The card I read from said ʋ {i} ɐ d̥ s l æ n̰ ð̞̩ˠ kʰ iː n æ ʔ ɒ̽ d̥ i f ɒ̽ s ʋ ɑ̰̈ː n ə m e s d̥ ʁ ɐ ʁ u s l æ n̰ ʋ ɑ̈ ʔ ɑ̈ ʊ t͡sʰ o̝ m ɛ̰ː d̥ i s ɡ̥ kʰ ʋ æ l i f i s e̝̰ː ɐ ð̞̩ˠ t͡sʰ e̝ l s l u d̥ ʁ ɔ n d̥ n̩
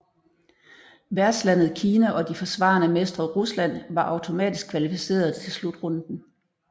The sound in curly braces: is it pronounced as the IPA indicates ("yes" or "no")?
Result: no